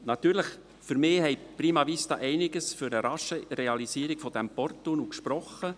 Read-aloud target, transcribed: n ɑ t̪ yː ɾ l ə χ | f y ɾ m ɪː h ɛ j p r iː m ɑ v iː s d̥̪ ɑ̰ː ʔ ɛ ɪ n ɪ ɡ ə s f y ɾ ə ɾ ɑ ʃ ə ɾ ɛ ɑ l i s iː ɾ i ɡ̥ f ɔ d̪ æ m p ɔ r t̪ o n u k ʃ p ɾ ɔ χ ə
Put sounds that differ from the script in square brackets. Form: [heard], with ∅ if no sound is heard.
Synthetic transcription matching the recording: n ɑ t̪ yː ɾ l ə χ | f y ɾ m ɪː h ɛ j p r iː m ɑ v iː s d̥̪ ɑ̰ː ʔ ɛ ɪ n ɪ ɡ ə s f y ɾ ə ɾ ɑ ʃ ə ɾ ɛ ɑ l i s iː ɾ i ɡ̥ f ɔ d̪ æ m p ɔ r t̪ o n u k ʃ p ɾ ɔ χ ə